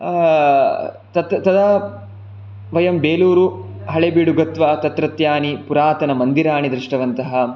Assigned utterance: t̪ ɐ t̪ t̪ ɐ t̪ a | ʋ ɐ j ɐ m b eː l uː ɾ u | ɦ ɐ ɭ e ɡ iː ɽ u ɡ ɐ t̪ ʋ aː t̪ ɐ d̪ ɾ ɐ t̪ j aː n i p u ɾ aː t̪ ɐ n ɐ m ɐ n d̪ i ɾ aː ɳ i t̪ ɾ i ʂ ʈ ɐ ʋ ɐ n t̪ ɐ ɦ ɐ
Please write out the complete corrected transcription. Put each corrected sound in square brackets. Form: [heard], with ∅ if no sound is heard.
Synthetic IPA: t̪ ɐ t̪ t̪ ɐ [d̪] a | ʋ ɐ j ɐ m b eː l uː ɾ u | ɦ ɐ ɭ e [b] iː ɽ u ɡ ɐ t̪ ʋ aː t̪ ɐ [t̪] ɾ ɐ t̪ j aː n i p u ɾ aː t̪ ɐ n ɐ m ɐ n d̪ i ɾ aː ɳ i [d̪] ɾ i ʂ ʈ ɐ ʋ ɐ n t̪ ɐ ɦ ɐ